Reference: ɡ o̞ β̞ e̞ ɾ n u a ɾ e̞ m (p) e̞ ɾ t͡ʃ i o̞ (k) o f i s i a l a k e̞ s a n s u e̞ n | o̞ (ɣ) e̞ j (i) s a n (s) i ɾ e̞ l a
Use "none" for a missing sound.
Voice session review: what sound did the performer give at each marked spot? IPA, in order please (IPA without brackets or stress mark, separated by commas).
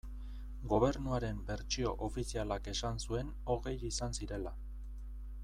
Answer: b, ʔ, ɣ, i, s